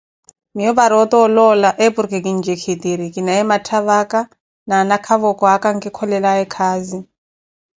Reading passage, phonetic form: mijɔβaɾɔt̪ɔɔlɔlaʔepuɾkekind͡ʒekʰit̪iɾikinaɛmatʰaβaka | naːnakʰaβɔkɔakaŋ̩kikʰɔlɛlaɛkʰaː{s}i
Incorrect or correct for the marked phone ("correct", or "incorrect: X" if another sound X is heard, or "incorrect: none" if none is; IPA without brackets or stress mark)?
incorrect: z